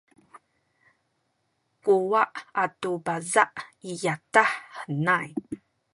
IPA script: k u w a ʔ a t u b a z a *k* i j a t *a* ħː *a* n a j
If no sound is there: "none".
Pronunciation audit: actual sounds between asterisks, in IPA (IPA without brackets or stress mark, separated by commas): ʔ, a, ə